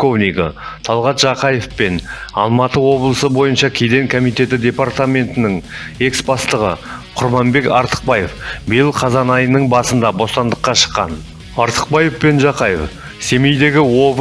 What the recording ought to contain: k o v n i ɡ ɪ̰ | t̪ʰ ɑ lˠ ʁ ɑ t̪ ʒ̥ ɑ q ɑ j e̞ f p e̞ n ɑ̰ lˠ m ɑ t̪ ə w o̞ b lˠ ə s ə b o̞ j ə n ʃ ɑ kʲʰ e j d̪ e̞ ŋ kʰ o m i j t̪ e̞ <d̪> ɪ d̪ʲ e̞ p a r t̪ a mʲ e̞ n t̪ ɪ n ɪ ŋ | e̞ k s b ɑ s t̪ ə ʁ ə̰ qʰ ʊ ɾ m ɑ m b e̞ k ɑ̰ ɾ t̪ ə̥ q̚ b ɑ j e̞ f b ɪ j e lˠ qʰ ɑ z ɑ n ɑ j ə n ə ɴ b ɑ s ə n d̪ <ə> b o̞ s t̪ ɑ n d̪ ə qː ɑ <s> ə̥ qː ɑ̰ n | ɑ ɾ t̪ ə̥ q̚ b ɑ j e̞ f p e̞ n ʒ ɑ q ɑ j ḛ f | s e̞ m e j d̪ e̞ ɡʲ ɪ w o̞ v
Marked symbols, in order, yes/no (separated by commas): no, no, no